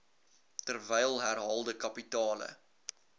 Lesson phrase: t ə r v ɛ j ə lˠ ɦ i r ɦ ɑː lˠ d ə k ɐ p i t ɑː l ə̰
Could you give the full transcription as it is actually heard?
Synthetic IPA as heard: t ə r v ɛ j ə lˠ ɦ æ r ɦ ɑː lˠ d ə k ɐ p i t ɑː l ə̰